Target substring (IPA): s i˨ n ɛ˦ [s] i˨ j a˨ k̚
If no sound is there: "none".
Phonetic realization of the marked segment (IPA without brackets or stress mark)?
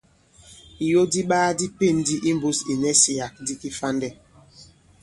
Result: s